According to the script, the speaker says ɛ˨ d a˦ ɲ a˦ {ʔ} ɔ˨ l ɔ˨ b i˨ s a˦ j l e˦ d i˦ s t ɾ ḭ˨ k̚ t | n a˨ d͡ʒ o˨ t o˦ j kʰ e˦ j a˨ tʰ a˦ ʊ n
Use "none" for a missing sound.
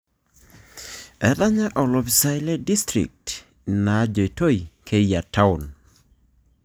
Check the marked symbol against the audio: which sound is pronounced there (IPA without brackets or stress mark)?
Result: ʔ